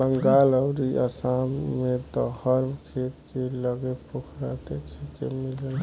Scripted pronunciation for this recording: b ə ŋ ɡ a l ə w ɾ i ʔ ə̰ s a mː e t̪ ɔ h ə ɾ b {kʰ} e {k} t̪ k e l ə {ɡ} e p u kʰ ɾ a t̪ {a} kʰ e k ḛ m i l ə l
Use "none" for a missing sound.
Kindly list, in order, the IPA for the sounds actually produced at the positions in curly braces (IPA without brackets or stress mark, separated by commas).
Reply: kʰ, none, ɡ, e